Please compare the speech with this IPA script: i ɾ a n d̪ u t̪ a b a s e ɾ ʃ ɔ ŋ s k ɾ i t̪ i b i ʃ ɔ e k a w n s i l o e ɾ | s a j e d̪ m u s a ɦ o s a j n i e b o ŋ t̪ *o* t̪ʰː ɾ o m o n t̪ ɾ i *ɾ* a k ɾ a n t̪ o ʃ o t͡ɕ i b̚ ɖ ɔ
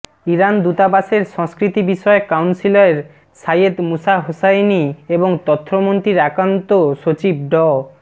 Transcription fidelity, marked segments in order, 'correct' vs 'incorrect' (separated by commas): incorrect, correct